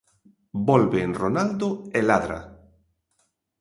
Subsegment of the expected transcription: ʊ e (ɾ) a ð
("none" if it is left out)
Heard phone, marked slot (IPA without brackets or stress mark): l